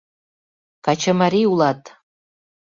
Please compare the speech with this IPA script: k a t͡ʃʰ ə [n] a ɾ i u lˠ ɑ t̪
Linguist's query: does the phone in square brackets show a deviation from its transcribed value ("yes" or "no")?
yes